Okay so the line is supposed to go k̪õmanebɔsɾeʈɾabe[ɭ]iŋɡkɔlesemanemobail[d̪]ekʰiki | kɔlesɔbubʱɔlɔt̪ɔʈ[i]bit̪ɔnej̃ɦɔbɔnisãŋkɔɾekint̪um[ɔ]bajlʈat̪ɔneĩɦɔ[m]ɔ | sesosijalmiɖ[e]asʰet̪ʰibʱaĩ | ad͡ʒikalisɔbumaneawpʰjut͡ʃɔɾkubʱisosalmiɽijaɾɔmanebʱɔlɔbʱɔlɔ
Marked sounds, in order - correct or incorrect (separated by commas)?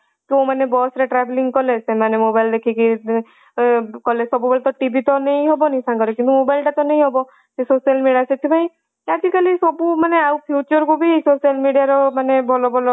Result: incorrect, correct, correct, incorrect, incorrect, incorrect